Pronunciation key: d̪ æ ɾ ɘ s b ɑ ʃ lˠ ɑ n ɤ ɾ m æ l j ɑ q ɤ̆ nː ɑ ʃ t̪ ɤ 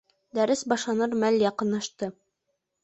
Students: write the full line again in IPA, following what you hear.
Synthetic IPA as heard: d̪ æ ɾ ɘ s b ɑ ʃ lˠ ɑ n ɤ ɾ m æ l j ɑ q ɤ̆ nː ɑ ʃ t̪ ɤ